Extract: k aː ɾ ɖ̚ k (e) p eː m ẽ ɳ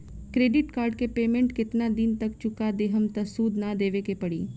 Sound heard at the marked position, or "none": e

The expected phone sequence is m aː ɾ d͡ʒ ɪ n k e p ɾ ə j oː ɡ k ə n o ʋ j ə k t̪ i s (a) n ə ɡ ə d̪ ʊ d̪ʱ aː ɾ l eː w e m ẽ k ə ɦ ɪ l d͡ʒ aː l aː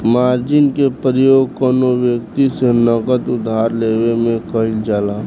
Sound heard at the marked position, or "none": e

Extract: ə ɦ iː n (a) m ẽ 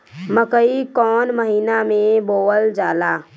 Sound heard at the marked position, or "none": a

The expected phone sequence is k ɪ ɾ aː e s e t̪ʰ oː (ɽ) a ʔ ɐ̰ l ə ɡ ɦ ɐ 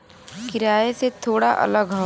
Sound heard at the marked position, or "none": ɽ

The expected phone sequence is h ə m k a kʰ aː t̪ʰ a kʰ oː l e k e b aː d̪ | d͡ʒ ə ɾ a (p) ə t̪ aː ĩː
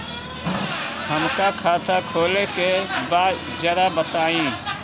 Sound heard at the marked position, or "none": b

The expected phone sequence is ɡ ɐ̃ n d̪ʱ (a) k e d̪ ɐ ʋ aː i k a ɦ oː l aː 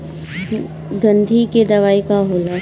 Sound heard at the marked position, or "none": i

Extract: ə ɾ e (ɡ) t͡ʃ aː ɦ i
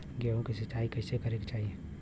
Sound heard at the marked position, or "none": k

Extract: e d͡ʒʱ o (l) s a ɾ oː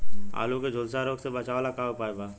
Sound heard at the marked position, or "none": l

